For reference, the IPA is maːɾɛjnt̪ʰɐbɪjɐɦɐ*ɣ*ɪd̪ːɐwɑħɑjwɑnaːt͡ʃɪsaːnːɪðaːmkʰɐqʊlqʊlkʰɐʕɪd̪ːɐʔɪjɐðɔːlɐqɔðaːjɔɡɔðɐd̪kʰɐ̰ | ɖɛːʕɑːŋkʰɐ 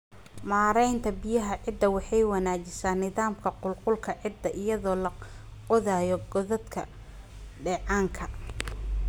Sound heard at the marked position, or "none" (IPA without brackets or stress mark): ʕ